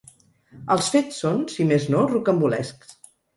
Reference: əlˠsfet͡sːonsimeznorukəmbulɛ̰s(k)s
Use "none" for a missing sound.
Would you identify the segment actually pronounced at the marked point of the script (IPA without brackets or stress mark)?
k